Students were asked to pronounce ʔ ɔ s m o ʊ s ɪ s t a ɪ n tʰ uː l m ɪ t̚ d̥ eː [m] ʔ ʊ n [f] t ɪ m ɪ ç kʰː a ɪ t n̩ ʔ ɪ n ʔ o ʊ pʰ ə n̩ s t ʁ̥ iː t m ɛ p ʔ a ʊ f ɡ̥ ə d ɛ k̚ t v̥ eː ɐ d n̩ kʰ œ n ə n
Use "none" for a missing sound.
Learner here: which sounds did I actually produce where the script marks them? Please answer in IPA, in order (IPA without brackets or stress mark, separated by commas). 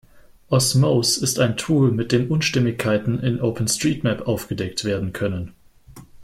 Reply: m, ʃ